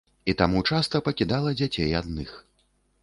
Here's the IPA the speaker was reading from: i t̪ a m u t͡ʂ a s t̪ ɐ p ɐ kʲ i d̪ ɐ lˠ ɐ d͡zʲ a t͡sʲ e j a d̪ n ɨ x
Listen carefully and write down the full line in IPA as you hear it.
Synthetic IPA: i t̪ a m u t͡ʂ a s t̪ ɐ p ɐ kʲ i d̪ a lˠ ɐ d͡zʲ a t͡sʲ e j a d̪ n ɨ x